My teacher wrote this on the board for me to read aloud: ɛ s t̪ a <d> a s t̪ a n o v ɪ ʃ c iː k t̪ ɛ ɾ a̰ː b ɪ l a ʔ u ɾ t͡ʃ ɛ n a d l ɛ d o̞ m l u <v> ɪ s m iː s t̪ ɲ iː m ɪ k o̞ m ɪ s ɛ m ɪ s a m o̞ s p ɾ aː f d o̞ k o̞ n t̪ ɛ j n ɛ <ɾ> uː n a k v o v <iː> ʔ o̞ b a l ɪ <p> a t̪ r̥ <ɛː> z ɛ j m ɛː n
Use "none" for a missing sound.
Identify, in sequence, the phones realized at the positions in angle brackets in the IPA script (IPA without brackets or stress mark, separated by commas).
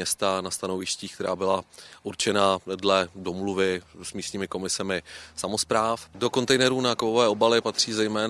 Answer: n, v, ɾ, ɛː, p, iː